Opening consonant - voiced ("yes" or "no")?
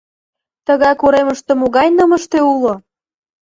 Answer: no